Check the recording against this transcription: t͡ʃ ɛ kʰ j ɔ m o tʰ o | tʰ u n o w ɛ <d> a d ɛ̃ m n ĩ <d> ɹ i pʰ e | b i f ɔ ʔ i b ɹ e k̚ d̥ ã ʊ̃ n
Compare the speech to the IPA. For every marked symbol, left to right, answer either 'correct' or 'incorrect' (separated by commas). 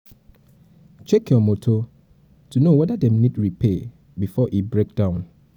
correct, correct